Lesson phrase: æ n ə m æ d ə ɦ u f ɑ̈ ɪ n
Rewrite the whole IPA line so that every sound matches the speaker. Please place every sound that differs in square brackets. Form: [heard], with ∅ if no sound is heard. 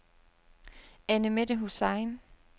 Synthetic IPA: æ n ə m [e] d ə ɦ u [s] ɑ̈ ɪ n